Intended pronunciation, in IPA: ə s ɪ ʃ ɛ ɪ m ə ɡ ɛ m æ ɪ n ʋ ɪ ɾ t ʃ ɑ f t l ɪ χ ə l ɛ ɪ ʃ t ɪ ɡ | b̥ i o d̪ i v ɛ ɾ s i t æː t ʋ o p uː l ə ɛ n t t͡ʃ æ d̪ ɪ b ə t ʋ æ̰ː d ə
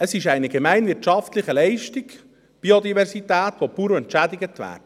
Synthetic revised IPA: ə s ɪ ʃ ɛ ɪ n ə ɡ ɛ m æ ɪ n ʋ ɪ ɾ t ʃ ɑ f t l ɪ χ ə l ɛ ɪ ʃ t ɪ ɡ | b̥ i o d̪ i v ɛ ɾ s i t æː t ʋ o p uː ɾ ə ɛ n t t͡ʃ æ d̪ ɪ ɡ ə t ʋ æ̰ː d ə